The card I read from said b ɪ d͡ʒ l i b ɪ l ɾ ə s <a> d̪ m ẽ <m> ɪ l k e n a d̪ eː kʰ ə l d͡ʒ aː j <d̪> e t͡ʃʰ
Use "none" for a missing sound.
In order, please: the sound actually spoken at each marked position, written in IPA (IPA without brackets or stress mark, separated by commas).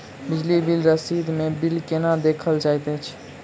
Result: i, b, t̪